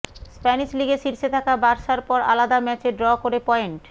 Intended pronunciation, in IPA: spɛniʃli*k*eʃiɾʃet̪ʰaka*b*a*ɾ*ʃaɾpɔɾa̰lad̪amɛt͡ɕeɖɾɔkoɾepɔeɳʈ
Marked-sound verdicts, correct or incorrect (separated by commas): incorrect, correct, correct